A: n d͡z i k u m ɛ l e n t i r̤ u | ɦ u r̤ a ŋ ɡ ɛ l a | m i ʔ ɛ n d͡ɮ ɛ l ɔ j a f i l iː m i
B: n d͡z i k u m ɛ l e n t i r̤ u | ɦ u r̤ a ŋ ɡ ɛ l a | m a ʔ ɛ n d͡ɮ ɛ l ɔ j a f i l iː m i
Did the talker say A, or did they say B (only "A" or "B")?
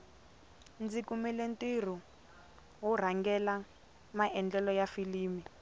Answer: B